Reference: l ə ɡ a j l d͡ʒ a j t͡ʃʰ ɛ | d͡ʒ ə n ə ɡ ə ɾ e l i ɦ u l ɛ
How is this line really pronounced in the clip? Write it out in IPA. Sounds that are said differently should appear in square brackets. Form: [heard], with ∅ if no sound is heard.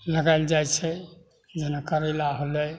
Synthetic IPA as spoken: l ə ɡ a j l d͡ʒ a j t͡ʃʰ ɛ | d͡ʒ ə n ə [k] ə ɾ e l [a] ɦ [o] l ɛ